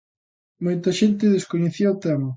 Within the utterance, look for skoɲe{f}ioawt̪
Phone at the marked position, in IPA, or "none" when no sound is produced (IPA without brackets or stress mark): θ